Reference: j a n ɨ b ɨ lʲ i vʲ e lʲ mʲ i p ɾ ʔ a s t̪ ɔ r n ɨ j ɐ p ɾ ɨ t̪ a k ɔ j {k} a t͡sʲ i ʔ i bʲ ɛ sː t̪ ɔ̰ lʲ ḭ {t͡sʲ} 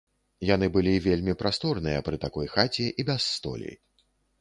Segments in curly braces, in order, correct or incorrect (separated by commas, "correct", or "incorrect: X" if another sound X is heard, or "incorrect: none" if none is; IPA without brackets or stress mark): incorrect: x, incorrect: none